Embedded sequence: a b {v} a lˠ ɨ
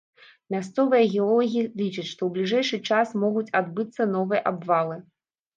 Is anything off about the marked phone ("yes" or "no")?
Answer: no